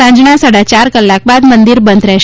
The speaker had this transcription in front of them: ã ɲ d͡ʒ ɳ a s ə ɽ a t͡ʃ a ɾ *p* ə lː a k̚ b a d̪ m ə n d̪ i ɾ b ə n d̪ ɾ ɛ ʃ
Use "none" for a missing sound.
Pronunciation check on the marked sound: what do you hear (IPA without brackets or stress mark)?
k